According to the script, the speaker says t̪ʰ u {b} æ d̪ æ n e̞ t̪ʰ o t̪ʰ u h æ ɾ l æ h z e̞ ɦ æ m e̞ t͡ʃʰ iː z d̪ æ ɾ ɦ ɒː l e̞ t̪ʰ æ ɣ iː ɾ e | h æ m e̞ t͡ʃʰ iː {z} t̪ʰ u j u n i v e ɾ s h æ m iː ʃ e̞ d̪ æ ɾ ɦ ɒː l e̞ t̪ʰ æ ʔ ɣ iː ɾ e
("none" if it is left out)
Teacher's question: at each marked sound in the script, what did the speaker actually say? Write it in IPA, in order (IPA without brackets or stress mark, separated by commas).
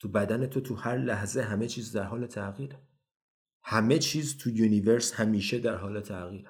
b, z